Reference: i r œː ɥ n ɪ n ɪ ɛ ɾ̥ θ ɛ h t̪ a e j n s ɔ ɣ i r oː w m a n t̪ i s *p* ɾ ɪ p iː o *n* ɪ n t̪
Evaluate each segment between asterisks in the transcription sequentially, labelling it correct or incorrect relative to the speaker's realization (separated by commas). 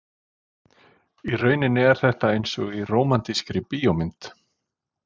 incorrect, incorrect